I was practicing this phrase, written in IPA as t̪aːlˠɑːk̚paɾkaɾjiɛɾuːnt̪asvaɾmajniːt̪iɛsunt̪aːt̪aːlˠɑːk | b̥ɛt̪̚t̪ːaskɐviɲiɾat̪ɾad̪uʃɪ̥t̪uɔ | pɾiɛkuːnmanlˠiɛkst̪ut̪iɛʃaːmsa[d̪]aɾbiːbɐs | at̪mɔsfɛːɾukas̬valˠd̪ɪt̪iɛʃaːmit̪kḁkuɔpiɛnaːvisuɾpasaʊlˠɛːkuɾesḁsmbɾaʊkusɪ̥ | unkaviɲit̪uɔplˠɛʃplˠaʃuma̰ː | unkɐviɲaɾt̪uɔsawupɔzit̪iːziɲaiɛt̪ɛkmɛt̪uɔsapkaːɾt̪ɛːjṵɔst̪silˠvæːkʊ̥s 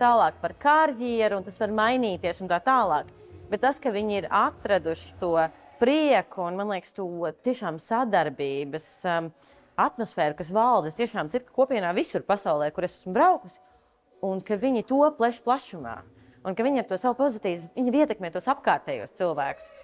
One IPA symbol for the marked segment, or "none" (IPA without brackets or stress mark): d̪